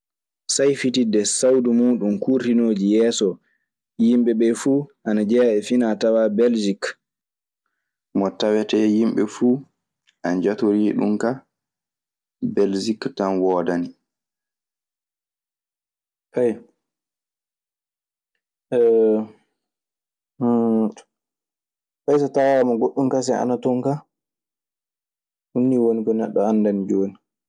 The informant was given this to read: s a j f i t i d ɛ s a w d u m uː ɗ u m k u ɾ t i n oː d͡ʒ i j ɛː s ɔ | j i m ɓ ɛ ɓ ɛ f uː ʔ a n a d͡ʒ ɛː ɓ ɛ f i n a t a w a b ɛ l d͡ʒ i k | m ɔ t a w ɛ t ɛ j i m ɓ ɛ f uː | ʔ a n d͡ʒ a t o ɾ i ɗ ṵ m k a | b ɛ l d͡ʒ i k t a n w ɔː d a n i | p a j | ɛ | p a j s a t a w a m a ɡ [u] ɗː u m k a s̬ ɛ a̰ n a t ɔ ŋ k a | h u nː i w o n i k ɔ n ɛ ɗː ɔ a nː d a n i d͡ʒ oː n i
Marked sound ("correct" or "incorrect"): incorrect